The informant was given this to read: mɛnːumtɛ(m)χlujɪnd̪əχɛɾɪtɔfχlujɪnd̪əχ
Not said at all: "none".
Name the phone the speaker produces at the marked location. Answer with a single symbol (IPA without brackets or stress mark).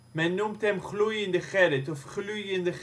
m